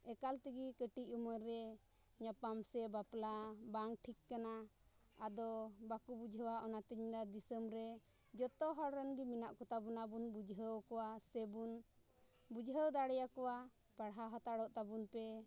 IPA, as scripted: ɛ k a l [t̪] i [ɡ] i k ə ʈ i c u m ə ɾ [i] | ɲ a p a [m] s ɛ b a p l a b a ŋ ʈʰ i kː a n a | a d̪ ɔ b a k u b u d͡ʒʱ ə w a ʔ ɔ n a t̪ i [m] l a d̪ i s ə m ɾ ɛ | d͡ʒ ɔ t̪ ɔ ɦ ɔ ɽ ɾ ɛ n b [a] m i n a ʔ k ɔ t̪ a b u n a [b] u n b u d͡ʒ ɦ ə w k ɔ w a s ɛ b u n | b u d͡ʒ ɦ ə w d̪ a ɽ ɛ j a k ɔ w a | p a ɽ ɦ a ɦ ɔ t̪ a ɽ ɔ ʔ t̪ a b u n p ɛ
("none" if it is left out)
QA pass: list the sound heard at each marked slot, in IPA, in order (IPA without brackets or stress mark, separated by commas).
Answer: t̪, ɡ, ɛ, m, ɲ, i, b